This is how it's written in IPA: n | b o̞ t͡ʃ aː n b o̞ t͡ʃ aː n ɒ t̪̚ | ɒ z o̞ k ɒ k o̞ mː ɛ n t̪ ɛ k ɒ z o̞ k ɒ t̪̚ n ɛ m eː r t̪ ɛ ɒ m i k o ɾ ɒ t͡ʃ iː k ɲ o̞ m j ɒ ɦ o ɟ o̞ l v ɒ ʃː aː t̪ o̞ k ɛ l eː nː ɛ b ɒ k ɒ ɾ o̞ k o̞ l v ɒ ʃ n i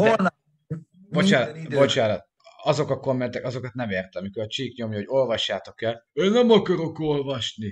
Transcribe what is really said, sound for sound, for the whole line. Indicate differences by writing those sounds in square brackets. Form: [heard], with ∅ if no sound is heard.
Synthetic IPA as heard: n | b o̞ t͡ʃ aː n b o̞ t͡ʃ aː n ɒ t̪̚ | ɒ z o̞ k ɒ k o̞ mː ɛ n t̪ ɛ k ɒ z o̞ k ɒ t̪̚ n ɛ m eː r t̪ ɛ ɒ m i k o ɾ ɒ t͡ʃ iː k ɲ o̞ m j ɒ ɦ o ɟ o̞ l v ɒ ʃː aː t̪ o̞ k ɛ l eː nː ɛ [m] ɒ k ɒ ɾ o̞ k o̞ l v ɒ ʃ n i